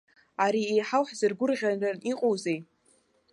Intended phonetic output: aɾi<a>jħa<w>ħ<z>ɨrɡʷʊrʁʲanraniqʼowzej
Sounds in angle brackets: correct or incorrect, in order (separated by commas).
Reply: incorrect, correct, correct